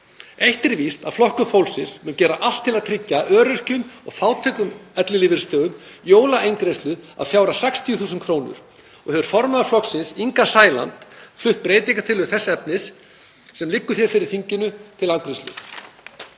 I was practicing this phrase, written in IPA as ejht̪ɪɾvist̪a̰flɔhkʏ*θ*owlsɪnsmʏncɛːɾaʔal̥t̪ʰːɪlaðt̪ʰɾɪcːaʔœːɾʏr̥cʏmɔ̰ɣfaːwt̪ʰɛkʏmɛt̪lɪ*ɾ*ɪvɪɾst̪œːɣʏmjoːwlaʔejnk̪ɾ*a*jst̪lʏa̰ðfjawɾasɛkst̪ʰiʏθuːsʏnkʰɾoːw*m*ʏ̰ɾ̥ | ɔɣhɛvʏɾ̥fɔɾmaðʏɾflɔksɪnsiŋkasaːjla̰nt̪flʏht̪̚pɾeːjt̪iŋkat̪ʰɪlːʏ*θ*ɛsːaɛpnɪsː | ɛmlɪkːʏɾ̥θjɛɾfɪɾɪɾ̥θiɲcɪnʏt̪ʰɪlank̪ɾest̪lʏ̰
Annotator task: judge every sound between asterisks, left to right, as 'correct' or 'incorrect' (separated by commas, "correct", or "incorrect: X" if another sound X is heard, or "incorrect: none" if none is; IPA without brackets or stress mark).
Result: incorrect: f, incorrect: l, incorrect: e, incorrect: n, correct